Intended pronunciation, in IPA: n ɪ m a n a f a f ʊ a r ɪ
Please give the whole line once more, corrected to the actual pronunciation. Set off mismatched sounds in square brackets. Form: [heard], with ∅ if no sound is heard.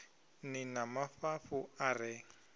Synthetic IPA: n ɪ [n] a [m] a f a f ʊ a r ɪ